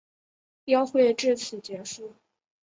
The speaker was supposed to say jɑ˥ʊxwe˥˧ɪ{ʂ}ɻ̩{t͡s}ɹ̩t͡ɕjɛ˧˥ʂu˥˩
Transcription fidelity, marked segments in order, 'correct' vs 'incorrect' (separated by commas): incorrect, incorrect